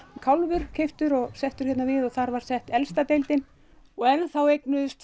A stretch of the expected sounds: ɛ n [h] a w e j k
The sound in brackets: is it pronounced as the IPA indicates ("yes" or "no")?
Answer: no